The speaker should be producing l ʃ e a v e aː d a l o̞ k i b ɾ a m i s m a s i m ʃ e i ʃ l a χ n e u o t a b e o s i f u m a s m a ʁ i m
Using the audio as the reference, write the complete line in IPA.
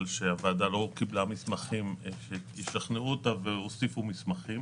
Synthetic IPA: l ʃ e a v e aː d a l o̞ k i b l a m i s m a χ i m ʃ e i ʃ l a χ n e u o t a v e o s i f u m i s m a χ i m